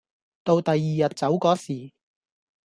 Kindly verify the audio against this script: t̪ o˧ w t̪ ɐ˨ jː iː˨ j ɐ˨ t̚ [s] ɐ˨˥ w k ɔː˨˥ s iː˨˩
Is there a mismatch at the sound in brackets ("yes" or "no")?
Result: yes